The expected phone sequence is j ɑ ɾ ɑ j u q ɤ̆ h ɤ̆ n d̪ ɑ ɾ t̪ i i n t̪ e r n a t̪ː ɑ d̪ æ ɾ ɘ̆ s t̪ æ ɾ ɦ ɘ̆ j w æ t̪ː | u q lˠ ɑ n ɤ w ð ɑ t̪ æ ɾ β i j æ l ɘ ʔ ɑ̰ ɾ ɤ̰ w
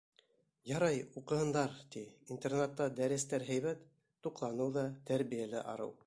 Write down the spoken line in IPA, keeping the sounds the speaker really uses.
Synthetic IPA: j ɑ ɾ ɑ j u q ɤ̆ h ɤ̆ n d̪ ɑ ɾ t̪ i i n t̪ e r n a t̪ː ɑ d̪ æ ɾ ɘ̆ s t̪ æ ɾ ɦ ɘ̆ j β æ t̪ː | u q lˠ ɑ n ɤ w ð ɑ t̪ æ ɾ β i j æ l ɘ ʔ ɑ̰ ɾ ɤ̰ w